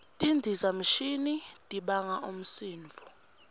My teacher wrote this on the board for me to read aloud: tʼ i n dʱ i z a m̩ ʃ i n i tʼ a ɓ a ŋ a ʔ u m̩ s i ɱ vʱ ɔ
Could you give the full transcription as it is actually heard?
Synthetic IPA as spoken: tʼ i n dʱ i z a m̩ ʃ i n i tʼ i ɓ a ŋ a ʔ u m̩ s iː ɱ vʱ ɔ